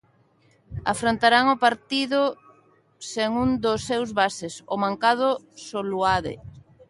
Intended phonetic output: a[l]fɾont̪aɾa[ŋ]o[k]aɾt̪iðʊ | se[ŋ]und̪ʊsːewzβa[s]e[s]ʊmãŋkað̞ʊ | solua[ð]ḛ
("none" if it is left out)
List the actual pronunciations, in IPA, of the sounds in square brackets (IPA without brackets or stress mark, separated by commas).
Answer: none, ŋ, p, ŋ, s, s, ð